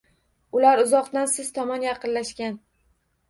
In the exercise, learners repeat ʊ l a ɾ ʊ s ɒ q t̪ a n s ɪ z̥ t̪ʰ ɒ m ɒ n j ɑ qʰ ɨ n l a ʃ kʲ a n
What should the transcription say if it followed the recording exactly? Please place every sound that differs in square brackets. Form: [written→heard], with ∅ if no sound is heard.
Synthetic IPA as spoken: ʊ l a ɾ ʊ [s→z] ɒ q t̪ a n s ɪ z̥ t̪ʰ ɒ m ɒ n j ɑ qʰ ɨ n l a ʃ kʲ a n